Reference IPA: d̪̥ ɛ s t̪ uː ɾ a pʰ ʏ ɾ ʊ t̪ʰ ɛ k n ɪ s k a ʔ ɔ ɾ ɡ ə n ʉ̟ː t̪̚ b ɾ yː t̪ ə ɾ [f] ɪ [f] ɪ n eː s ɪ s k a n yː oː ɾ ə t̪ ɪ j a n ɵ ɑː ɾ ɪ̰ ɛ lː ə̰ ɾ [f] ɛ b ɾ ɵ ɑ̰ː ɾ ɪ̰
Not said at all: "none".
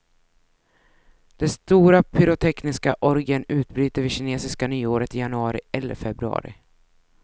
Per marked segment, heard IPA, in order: v, ɕ, f

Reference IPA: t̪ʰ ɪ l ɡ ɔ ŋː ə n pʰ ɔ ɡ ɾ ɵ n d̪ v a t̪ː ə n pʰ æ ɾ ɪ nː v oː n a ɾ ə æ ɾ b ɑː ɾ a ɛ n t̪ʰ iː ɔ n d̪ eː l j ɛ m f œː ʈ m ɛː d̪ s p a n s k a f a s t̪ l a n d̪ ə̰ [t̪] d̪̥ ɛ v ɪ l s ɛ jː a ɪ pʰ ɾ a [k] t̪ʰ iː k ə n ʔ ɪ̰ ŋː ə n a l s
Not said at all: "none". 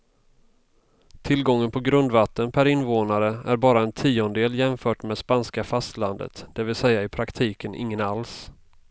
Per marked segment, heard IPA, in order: t̪, k

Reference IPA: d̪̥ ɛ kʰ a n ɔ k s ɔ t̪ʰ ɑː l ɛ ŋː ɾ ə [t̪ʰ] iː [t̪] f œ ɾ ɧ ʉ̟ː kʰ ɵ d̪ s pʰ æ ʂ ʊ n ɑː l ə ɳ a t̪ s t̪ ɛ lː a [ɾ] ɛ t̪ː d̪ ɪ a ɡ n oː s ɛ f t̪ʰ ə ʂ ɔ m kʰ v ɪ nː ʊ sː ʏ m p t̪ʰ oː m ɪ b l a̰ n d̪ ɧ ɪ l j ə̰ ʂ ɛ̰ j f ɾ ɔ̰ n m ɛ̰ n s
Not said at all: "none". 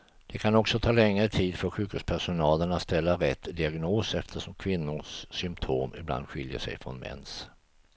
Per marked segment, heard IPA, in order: t̪ʰ, d̪, ɾ

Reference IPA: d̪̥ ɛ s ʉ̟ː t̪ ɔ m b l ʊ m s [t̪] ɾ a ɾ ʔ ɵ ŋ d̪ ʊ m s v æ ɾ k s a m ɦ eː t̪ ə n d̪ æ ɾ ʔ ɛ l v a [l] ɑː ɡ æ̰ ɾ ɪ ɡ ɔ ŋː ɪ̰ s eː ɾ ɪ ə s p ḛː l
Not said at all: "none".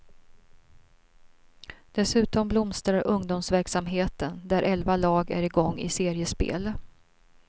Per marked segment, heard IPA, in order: t̪, l

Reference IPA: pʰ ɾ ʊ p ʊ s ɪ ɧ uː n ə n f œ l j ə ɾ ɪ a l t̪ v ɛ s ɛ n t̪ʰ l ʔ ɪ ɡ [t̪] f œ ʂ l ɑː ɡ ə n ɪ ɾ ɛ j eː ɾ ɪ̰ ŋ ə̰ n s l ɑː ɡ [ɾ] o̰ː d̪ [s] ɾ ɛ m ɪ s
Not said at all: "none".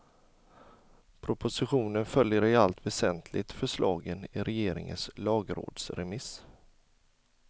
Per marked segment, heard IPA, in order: t̪, ɾ, s

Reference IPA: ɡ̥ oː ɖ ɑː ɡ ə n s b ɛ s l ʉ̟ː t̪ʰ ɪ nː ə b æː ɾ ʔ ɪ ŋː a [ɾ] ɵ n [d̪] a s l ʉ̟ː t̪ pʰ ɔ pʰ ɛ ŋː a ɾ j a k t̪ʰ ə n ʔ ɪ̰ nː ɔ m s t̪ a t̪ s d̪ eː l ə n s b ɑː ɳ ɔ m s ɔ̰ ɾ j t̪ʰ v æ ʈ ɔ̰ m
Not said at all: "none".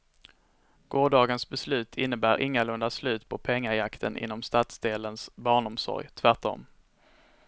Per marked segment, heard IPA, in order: l, d̪

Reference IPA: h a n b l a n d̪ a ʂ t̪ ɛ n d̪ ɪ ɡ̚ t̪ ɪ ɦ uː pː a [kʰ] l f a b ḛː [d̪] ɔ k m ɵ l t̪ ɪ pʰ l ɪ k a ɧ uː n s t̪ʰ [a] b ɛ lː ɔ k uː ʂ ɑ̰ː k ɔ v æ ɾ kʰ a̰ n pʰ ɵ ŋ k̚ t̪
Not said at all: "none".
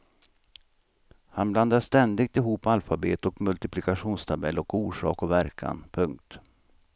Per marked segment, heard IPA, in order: none, t̪, a

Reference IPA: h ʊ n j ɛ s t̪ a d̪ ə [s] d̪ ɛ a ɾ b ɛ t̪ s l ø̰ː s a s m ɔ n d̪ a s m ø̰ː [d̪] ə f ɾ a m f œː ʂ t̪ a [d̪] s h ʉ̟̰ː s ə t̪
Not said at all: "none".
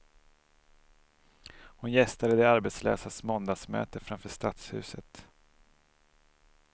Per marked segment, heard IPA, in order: none, t̪, t̪

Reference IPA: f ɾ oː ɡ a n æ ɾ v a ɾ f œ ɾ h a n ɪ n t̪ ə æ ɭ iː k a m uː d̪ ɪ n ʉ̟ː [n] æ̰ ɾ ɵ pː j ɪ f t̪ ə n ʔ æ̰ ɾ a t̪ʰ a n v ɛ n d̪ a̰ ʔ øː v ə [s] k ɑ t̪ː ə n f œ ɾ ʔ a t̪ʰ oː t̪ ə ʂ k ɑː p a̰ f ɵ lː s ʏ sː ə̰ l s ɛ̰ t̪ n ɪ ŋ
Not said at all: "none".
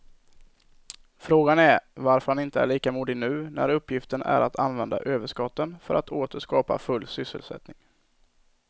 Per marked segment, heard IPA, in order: n, ʂ

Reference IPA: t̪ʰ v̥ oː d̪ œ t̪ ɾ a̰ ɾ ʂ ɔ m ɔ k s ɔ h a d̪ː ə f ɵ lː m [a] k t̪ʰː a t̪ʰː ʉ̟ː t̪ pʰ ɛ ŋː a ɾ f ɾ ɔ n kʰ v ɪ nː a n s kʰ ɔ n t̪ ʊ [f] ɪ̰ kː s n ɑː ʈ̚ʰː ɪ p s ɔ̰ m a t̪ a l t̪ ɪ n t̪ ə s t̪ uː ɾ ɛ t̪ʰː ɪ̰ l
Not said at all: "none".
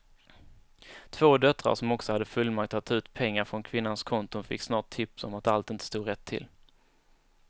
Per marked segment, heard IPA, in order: a, f

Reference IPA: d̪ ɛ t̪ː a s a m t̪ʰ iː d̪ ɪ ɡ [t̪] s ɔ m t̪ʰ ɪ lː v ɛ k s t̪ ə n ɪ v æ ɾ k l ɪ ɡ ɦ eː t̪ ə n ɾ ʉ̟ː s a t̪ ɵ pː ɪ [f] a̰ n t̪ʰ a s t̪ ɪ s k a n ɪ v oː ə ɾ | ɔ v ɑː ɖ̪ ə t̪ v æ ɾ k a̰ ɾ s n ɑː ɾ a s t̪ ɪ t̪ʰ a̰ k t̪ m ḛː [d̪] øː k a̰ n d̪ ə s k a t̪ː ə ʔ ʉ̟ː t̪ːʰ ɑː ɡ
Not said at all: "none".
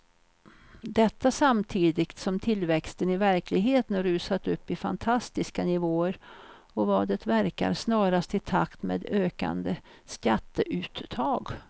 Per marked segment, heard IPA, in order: t̪, f, d̪

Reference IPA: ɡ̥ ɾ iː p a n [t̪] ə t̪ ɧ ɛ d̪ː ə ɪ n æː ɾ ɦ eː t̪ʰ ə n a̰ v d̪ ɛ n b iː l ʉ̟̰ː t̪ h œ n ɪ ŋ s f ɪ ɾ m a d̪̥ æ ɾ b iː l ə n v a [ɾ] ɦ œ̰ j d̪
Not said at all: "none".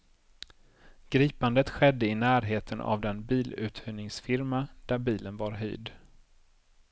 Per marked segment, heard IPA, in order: d̪, ɾ

